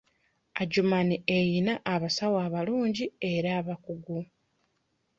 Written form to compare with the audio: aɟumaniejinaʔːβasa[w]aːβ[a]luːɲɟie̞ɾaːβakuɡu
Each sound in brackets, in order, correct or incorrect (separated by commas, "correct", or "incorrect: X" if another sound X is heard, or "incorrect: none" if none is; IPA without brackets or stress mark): correct, correct